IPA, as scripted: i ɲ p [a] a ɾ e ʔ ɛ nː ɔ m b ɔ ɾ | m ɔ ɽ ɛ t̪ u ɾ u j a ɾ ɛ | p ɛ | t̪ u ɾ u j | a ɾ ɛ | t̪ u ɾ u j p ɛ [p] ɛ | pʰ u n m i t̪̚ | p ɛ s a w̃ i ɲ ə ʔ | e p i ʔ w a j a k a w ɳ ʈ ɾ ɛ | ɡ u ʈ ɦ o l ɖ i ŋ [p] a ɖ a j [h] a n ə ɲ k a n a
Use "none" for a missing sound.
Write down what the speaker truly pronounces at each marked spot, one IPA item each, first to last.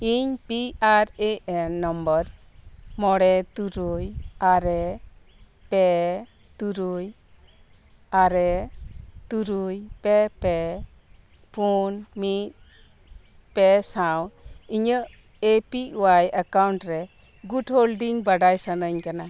i, p, b, s

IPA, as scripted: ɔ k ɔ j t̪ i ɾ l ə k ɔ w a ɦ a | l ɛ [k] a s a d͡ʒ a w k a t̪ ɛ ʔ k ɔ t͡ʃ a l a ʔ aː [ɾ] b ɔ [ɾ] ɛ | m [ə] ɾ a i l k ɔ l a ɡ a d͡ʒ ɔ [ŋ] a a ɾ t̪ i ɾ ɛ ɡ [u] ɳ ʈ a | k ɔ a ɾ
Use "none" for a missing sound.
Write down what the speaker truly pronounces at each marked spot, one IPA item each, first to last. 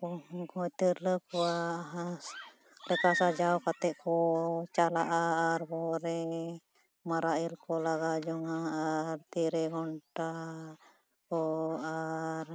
k, ɾ, ɾ, a, ŋ, ɔ

